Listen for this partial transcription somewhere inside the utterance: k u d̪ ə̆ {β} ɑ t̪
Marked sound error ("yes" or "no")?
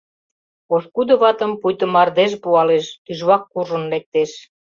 no